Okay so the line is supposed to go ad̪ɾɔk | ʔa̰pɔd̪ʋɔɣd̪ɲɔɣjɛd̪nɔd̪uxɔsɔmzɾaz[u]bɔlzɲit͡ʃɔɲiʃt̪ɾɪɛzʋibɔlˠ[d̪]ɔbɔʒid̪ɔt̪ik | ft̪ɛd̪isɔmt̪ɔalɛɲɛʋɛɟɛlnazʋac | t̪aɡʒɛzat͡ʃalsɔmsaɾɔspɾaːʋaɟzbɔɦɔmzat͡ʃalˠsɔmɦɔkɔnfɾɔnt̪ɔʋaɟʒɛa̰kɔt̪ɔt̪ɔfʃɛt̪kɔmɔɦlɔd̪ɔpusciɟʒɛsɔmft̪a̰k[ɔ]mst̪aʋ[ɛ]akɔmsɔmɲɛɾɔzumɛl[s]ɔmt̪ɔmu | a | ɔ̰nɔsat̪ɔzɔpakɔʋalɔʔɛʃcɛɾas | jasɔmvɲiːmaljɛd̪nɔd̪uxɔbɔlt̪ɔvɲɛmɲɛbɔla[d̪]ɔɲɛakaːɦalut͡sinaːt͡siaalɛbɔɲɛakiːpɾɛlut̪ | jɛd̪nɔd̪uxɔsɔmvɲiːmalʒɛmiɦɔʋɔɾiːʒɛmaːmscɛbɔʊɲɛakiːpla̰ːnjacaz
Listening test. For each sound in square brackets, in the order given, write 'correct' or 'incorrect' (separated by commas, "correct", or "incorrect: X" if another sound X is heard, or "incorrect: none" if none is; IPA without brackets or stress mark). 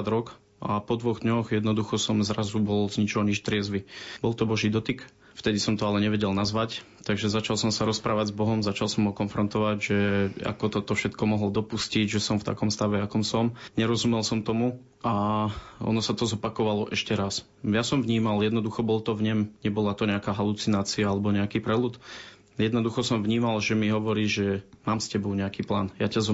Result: correct, incorrect: t̪, correct, correct, correct, incorrect: t̪